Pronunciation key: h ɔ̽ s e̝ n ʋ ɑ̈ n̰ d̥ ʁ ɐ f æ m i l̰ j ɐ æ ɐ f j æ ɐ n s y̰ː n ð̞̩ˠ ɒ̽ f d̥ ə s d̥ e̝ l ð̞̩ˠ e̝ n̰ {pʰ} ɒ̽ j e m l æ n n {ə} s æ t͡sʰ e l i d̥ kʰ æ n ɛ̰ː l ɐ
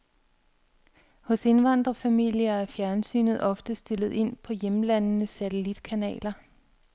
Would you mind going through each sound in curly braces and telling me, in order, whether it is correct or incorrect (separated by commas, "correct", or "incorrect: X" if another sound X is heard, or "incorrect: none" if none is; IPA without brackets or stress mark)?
correct, correct